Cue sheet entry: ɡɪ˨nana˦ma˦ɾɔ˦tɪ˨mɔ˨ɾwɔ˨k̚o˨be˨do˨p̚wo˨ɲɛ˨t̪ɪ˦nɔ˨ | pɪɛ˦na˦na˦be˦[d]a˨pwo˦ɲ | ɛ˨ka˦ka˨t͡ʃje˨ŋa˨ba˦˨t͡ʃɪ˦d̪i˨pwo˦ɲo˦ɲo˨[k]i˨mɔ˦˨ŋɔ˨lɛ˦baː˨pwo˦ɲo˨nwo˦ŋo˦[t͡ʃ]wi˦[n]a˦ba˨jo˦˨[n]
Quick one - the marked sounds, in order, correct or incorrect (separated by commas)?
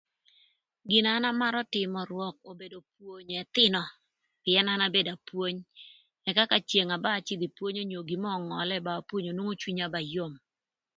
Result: correct, incorrect, correct, incorrect, incorrect